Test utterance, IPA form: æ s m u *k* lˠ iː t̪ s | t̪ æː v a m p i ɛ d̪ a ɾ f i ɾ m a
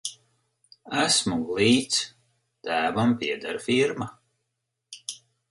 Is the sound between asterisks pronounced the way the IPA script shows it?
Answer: no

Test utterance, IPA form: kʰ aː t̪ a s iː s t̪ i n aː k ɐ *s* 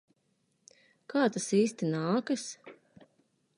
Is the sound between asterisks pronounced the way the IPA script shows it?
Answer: yes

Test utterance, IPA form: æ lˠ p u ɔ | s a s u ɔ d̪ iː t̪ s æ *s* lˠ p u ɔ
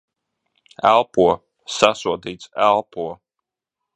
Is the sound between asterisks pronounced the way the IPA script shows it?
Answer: no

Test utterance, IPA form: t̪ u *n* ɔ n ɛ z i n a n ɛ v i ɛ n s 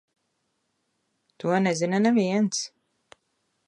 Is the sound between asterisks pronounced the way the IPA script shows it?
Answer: no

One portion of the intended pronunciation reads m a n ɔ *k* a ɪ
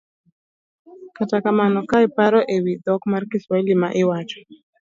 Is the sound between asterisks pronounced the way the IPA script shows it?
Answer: yes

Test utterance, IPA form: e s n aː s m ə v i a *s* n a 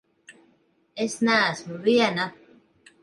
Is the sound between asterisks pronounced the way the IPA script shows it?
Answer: no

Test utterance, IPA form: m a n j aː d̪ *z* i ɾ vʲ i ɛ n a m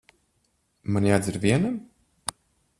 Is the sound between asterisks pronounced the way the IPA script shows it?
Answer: yes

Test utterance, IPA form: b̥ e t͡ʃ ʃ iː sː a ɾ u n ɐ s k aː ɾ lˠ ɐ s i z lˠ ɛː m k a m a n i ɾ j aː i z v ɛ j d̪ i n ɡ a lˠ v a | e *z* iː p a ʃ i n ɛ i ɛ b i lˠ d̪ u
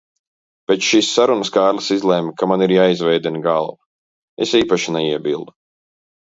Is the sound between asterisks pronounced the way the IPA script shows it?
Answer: no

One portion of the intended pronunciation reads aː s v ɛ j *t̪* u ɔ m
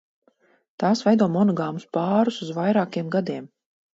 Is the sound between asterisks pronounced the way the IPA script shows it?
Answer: no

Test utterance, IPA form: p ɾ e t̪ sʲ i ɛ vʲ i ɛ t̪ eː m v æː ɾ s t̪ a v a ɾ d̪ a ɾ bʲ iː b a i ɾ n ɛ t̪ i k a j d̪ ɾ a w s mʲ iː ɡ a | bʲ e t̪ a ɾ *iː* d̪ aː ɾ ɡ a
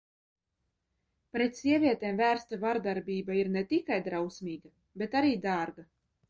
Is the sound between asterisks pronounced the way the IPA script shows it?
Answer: yes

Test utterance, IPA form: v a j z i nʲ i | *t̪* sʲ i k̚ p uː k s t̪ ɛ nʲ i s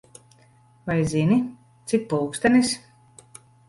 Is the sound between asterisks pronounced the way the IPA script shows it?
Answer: yes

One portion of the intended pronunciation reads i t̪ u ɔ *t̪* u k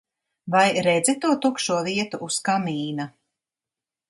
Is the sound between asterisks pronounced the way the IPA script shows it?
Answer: yes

